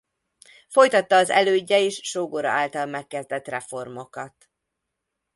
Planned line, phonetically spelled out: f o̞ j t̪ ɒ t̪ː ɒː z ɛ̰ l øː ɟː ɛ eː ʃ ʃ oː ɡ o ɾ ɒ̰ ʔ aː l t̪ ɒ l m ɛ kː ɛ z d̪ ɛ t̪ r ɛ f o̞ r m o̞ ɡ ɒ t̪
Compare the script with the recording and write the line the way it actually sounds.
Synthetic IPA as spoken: f o̞ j t̪ ɒ t̪ː ɒː z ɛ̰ l øː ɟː ɛ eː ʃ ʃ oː ɡ o ɾ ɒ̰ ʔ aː l t̪ ɒ l m ɛ kː ɛ z d̪ ɛ t̪ r ɛ f o̞ r m o̞ k ɒ t̪

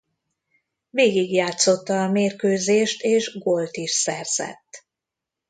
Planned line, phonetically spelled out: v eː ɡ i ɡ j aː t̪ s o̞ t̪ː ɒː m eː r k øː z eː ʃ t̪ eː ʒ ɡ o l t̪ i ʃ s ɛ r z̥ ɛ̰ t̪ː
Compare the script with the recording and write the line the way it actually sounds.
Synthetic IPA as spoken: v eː ɡ i ɡ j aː t̪ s o̞ t̪ː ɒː m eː r k øː z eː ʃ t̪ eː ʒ ɡ o l t̪ i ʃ s ɛ r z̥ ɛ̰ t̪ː

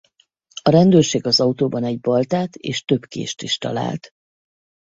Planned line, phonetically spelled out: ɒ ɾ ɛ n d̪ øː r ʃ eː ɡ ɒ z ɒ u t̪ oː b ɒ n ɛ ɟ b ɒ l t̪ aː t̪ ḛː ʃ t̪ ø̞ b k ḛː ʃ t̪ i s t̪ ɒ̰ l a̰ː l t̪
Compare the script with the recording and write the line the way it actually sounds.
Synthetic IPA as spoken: ɒ ɾ ɛ n d̪ øː r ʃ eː ɡ ɒ z ɒ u t̪ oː b ɒ n ɛ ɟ b ɒ l t̪ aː t̪ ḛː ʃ t̪ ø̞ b k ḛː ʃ t̪ i ʃ t̪ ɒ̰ l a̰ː l t̪

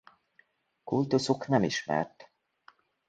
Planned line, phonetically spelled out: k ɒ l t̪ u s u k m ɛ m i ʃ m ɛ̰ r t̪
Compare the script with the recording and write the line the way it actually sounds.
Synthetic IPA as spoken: k u l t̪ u s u k n ɛ m i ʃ m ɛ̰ r t̪

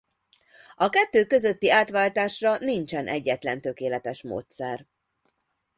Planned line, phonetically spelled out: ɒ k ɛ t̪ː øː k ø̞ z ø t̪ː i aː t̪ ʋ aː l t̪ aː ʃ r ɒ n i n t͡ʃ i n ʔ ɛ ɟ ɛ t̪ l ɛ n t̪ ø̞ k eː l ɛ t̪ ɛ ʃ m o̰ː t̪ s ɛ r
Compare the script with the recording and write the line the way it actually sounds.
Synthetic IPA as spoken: ɒ k ɛ t̪ː øː k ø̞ z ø t̪ː i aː t̪ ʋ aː l t̪ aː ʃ r ɒ n i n t͡ʃ ɛ n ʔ ɛ ɟː ɛ t̪ l ɛ n t̪ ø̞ k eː l ɛ t̪ ɛ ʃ m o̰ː t̪ s ɛ r

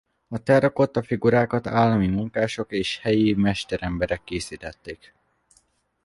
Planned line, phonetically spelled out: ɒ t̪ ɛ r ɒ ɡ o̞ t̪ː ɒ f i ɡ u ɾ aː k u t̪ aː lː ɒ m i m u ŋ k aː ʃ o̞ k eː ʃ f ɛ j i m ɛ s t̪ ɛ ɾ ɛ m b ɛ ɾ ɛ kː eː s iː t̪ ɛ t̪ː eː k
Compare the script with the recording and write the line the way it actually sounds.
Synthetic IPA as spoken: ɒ t̪ ɛ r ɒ k o̞ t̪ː ɒ f i ɡ u ɾ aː k ɒ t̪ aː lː ɒ m i m u ŋ k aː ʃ o̞ k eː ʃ h ɛ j i m ɛ ʃ t̪ ɛ ɾ ɛ m b ɛ ɾ ɛ kː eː s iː t̪ ɛ t̪ː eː k

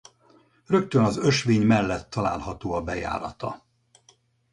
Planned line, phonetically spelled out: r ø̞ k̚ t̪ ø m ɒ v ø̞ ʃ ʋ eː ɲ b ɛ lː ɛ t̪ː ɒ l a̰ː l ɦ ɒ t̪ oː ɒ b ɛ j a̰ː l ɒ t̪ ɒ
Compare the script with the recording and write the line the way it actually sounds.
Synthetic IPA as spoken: r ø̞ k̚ t̪ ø n ɒ z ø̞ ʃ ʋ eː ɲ m ɛ lː ɛ t̪ː ɒ l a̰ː l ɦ ɒ t̪ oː ɒ b ɛ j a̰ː ɾ ɒ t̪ ɒ

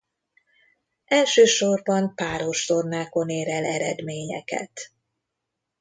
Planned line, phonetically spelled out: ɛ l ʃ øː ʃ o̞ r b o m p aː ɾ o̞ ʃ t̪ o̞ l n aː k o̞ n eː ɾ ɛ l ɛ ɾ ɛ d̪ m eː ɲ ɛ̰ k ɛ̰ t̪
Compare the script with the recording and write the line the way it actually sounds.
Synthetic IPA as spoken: ɛ l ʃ øː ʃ o̞ r b ɒ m p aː ɾ o̞ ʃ t̪ o̞ r n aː k o̞ n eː ɾ ɛ l ɛ ɾ ɛ d̪ m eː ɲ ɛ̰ k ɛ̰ t̪

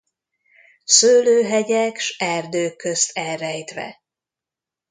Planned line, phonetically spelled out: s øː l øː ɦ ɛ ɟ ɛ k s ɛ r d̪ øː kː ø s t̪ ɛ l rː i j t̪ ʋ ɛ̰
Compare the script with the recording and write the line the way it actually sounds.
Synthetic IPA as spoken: s øː l øː ɦ ɛ ɟ ɛ k ʃ ɛ r d̪ øː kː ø s t̪ ɛ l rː ɛ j t̪ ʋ ɛ̰

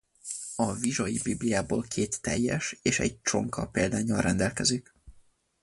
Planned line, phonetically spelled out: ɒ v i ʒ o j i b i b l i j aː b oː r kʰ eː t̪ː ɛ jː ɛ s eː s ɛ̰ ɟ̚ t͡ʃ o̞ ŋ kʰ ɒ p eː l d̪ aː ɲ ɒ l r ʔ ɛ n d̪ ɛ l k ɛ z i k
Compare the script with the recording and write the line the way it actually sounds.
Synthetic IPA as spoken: ɒ v i ʒ o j i b i b l i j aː b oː l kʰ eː t̪ː ɛ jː ɛ ʃ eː ʃ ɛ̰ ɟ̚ t͡ʃ o̞ ŋ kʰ ɒ p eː l d̪ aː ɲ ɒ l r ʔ ɛ n d̪ ɛ l k ɛ z i k

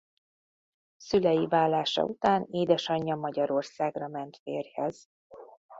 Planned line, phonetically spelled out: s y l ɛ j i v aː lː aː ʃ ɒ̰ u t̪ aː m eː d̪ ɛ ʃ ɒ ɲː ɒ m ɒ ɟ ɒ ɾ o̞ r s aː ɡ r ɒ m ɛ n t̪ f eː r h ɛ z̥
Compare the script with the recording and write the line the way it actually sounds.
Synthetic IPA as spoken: s y l ɛ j i v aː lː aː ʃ ɒ̰ u t̪ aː n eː d̪ ɛ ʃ ɒ ɲː ɒ m ɒ ɟ ɒ ɾ o̞ r s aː ɡ r ɒ m ɛ n t̪ f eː r h ɛ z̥

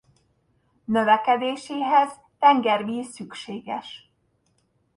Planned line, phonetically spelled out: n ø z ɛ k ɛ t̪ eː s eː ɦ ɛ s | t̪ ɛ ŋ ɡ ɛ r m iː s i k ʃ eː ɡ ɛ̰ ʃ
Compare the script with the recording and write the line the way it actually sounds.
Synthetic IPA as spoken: n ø v ɛ k ɛ d̪ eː ʃ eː ɦ ɛ z | t̪ ɛ ŋ ɡ ɛ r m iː s y k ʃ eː ɡ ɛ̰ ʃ

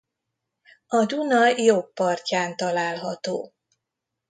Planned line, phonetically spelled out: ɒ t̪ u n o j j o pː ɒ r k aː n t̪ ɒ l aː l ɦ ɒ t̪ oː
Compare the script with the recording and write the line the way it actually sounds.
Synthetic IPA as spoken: ɒ d̪ u n ɒ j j o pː ɒ r c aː n t̪ ɒ l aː l ɦ ɒ t̪ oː

